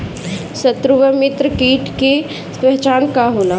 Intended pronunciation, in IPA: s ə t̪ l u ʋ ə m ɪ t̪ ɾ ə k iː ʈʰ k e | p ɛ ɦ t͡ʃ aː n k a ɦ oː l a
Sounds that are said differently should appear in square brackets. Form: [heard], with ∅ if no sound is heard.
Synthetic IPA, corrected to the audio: s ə t̪ [ɾ] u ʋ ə m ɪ t̪ ɾ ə k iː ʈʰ k e | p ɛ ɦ t͡ʃ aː n k a ɦ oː l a